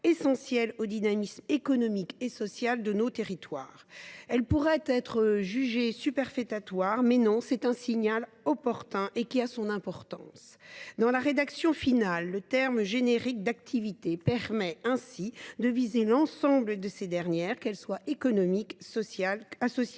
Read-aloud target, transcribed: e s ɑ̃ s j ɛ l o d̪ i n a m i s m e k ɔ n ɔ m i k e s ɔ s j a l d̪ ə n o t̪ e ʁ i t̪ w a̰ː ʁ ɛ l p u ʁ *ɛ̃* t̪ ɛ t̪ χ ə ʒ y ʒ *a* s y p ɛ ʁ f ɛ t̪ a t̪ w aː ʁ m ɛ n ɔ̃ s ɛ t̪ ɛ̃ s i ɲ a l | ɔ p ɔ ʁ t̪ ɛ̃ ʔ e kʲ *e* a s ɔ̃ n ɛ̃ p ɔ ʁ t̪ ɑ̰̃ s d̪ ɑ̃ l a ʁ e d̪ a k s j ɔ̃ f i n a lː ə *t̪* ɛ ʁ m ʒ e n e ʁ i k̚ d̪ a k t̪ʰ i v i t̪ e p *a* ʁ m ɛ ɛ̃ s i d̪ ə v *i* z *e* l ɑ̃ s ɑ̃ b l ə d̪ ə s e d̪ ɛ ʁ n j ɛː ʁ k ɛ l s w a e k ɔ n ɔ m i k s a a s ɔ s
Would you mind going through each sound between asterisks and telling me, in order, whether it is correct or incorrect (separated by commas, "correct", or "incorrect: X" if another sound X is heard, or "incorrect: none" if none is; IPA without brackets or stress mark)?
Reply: incorrect: ɛ, incorrect: e, incorrect: i, correct, incorrect: ɛ, correct, correct